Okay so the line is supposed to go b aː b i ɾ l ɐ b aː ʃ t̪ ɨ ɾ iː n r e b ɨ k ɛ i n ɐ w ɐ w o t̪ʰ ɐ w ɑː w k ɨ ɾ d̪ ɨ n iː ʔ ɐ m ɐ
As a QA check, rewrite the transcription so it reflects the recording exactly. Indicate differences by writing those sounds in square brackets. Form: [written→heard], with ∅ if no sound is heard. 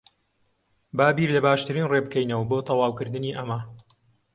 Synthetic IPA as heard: b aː b i ɾ l ɐ b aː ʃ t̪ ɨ ɾ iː n r e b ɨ k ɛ [i→j] n ɐ w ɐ [w→b] o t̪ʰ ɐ w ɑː w k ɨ ɾ d̪ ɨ n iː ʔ ɐ m ɐ